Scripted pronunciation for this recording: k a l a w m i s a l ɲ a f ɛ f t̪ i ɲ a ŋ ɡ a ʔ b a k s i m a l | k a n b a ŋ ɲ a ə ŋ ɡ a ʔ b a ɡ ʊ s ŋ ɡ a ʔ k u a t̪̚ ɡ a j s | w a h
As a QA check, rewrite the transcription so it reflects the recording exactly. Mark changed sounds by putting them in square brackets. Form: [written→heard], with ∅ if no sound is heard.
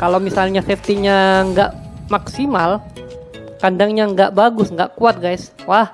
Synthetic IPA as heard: k a l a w m i s a l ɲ a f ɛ f t̪ i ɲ a ŋ ɡ a ʔ [b→m] a k s i m a l | k a n [b→d] a ŋ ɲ a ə ŋ ɡ a ʔ b a ɡ ʊ s ŋ ɡ a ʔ k u a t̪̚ ɡ a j s | w a h

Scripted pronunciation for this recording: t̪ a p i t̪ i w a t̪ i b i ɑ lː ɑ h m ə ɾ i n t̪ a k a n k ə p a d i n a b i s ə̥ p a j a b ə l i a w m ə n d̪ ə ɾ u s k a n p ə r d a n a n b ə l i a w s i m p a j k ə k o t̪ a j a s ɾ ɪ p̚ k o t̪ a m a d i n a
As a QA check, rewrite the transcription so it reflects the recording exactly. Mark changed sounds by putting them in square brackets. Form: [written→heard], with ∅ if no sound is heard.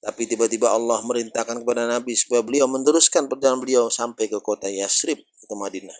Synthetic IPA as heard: t̪ a p i t̪ i [w→b] a t̪ i b [i→a] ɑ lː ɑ h m ə ɾ i n t̪ a k a n k ə p a d [i→a] n a b i s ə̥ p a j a b ə l i a w m ə n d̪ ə ɾ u s k a n p ə r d a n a n b ə l i a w s [i→a] m p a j k ə k o t̪ a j a s ɾ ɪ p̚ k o t̪ a m a d i n a

